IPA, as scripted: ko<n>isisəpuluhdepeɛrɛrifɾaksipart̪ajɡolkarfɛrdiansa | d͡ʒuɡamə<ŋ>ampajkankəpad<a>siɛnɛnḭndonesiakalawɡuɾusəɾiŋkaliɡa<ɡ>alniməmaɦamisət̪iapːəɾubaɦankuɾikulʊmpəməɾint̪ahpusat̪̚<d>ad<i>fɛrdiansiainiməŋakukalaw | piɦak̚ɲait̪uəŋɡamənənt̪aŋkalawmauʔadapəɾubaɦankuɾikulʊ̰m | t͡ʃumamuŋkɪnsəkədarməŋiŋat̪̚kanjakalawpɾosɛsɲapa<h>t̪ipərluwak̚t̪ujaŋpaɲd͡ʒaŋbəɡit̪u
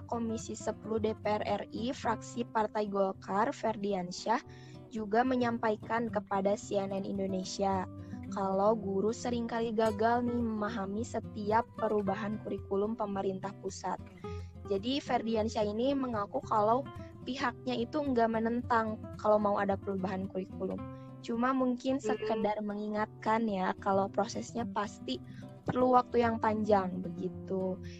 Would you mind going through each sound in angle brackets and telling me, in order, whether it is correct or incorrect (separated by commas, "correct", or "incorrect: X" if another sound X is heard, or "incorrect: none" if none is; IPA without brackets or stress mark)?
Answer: incorrect: m, incorrect: ɲ, correct, correct, incorrect: d͡ʒ, correct, incorrect: s